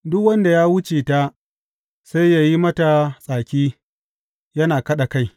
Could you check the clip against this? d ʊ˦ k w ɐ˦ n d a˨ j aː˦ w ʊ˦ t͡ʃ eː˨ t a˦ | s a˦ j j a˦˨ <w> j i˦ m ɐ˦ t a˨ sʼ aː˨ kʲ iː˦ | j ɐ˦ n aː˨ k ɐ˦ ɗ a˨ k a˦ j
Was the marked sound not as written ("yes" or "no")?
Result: yes